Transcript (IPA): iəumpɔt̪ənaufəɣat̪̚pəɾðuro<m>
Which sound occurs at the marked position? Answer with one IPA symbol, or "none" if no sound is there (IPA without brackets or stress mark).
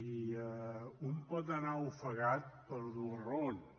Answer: n